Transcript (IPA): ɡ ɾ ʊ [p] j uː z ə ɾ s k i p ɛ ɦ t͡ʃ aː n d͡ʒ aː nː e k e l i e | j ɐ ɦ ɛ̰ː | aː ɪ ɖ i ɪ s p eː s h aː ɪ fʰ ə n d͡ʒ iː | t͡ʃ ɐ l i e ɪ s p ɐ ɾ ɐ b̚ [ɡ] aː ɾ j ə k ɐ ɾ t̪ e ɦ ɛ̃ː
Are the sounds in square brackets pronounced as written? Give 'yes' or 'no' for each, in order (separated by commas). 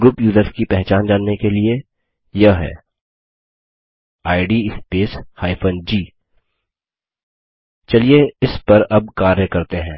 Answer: yes, no